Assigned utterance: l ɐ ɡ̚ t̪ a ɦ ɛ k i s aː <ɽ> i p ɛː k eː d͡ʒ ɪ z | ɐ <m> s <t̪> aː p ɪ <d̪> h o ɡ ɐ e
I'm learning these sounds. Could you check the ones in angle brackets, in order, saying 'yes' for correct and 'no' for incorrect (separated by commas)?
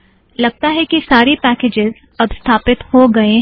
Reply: no, no, no, no